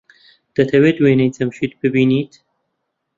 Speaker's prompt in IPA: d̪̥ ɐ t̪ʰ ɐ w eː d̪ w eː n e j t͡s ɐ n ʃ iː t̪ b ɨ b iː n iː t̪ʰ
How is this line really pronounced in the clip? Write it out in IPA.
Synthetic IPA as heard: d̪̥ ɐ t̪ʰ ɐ w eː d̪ w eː n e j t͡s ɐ m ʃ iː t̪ b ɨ b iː n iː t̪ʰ